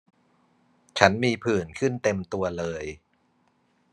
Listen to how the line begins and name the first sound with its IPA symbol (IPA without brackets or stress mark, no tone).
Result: t͡ɕʰ